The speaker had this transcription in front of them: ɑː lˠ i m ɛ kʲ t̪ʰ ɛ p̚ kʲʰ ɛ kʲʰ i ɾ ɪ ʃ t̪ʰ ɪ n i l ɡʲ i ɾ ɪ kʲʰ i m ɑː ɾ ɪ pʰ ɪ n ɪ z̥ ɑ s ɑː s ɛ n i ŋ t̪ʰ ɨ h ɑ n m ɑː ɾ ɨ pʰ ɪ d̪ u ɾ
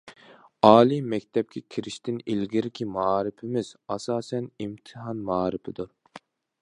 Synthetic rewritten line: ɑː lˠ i m ɛ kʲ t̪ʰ ɛ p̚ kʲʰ ɛ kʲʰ i ɾ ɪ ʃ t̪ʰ ɪ n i l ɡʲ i ɾ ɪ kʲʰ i m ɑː ɾ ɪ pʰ ɪ m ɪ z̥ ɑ s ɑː s ɛ n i m t̪ʰ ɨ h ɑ n m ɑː ɾ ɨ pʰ ɪ d̪ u ɾ